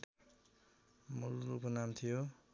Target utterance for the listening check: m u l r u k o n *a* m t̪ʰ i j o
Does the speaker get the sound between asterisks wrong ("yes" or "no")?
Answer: no